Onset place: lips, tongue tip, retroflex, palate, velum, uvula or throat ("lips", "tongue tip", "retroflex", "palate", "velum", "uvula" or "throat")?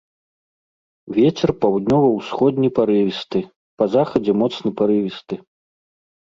lips